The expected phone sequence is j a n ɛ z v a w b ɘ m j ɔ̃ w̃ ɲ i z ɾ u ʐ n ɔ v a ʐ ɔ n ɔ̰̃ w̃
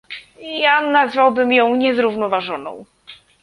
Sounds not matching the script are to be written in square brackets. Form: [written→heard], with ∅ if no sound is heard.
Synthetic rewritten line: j a n [ɛ→a] z v a w b ɘ m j ɔ̃ w̃ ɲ [i→ɛ] z ɾ u [ʐ→v] n ɔ v a ʐ ɔ n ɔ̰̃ w̃